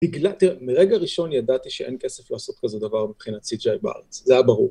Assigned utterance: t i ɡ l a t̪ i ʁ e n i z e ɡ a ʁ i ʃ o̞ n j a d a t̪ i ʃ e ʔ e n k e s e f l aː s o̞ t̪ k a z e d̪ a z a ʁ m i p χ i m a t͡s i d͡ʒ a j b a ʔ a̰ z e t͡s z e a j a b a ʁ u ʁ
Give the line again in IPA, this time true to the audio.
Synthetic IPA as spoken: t i ɡ l a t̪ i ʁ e m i ʁ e ɡ a ʁ i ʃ o̞ n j a d a t̪ i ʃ e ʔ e n k e s e f l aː s o̞ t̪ k a z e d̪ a v a ʁ m i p χ i n a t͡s i d͡ʒ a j b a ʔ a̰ ʁ e t͡s z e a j a b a ʁ u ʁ